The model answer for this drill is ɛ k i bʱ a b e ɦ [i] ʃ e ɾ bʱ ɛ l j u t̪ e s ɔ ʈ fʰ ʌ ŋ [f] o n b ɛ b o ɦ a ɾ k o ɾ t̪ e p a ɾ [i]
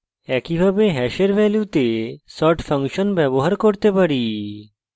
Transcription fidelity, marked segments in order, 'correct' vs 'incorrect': incorrect: ɛ, incorrect: ʃ, correct

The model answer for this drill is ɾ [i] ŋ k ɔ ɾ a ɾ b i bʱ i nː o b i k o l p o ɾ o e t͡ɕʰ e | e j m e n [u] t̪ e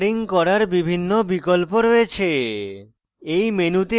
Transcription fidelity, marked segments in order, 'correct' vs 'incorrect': correct, correct

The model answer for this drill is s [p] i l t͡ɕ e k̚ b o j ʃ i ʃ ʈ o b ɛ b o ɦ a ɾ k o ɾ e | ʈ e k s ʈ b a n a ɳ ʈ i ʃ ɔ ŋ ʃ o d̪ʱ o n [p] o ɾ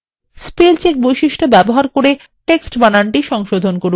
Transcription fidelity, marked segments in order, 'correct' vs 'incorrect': correct, incorrect: k

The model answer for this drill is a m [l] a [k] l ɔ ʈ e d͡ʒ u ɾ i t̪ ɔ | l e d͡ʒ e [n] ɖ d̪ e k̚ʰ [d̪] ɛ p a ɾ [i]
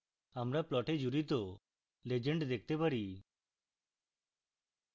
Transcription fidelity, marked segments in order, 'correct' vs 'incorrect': incorrect: ɾ, incorrect: p, incorrect: ɳ, incorrect: t̪, correct

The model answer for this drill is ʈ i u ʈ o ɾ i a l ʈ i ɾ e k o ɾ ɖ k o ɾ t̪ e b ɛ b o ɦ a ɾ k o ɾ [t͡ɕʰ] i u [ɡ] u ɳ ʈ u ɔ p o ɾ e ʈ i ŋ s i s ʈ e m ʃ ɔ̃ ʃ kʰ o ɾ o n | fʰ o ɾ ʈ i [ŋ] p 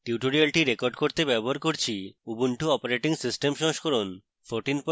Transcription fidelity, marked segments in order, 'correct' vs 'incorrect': correct, incorrect: b, incorrect: n

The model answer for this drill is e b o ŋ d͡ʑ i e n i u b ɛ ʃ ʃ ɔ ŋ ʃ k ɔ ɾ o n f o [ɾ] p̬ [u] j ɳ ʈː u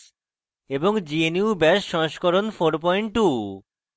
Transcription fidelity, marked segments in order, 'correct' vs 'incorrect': correct, incorrect: ɔ

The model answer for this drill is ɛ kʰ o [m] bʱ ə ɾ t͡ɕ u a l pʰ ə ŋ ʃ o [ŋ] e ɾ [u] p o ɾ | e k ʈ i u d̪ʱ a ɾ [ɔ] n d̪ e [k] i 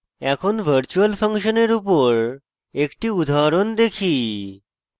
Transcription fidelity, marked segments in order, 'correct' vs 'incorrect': incorrect: n, incorrect: n, correct, incorrect: o, incorrect: kʰ

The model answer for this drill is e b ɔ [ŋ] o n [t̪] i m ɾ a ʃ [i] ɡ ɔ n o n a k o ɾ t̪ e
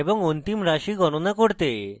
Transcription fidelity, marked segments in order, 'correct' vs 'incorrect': correct, correct, correct

